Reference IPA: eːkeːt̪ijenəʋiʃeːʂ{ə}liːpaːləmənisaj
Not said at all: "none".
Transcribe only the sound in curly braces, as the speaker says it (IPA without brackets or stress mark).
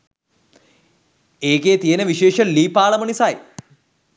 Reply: ə